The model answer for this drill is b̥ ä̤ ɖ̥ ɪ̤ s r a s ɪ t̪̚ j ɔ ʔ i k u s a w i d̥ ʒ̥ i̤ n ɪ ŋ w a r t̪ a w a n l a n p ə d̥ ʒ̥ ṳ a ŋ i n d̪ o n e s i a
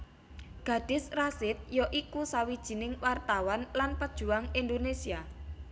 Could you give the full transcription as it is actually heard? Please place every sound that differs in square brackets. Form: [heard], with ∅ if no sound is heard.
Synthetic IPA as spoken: [ɡ̥] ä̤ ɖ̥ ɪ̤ s r a s ɪ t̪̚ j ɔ ʔ i k u s a w i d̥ ʒ̥ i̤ n ɪ ŋ w a r t̪ a w a n l a n p ə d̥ ʒ̥ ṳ a ŋ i n d̪ o n e s i a